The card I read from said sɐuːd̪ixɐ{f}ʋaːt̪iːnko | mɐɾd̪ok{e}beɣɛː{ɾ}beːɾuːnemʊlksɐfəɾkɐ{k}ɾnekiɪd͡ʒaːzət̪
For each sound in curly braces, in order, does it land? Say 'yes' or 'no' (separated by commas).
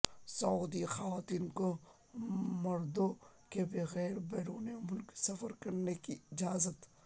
no, yes, yes, no